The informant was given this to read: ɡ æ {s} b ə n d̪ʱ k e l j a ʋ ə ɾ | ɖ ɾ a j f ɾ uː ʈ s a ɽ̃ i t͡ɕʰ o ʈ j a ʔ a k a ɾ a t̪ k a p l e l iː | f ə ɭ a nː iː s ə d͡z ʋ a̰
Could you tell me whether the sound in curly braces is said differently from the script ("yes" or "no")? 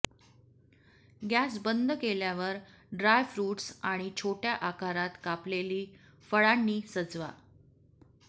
no